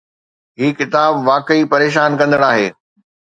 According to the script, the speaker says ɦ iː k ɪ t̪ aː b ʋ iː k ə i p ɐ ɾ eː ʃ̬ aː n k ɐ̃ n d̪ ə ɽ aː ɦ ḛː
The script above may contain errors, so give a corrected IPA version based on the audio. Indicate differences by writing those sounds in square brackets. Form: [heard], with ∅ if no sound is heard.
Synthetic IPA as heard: ɦ iː k ɪ t̪ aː b ʋ [aː] k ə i p ɐ ɾ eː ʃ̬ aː n k ɐ̃ n d̪ ə ɽ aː ɦ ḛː